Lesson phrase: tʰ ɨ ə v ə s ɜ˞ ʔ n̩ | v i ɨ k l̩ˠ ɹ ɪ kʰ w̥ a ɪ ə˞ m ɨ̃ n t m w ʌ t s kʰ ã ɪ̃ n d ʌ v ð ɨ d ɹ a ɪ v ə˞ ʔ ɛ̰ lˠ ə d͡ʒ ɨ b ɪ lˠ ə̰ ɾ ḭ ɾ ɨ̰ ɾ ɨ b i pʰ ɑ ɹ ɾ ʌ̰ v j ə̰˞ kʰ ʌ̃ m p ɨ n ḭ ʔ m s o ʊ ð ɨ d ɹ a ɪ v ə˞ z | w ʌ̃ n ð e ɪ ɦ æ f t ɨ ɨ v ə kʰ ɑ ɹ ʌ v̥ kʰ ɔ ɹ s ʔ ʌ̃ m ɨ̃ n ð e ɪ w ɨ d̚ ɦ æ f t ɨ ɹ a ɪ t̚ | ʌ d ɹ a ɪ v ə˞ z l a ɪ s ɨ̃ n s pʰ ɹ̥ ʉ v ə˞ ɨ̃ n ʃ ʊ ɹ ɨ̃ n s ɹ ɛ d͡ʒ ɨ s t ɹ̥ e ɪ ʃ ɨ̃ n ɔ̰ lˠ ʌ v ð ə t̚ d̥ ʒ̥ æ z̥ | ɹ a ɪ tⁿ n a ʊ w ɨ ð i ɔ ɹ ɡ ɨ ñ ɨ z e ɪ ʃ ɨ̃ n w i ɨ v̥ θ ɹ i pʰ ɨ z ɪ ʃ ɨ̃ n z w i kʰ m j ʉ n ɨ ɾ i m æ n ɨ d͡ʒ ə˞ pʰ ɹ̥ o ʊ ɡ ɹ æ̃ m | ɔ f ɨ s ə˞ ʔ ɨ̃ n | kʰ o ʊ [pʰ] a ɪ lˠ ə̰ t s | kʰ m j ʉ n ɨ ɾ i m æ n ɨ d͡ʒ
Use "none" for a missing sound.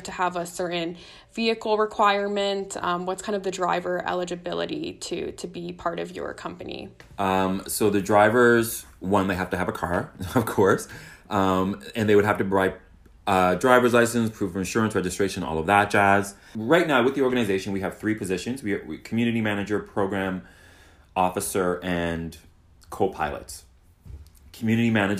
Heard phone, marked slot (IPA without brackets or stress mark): pʰ